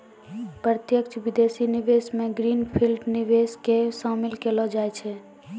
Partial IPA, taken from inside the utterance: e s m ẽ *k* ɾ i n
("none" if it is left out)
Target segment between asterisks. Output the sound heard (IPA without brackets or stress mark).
ɡ